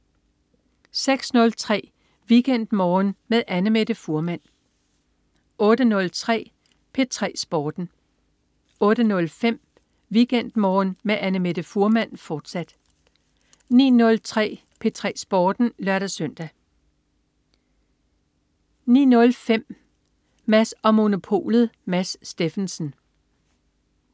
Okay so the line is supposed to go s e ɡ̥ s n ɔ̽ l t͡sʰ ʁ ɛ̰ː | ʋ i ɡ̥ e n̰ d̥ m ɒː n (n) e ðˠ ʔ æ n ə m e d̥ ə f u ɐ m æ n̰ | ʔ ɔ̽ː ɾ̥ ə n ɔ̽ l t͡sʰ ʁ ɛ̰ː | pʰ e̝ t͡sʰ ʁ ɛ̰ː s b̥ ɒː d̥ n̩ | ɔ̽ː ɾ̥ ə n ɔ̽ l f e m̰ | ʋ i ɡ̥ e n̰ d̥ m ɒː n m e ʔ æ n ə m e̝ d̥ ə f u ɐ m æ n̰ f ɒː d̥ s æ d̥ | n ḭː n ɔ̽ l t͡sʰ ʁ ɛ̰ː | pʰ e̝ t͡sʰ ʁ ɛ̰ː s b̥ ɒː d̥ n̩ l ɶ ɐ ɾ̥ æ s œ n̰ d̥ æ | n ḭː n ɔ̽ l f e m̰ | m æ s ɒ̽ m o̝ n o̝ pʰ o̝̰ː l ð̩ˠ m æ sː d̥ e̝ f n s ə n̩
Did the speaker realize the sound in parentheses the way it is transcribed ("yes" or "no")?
no